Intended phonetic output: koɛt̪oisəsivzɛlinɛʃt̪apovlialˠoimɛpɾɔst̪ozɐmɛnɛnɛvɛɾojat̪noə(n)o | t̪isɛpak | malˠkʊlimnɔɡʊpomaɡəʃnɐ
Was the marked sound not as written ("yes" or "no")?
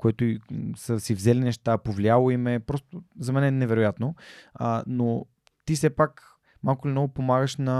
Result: no